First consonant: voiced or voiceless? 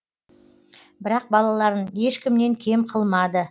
voiced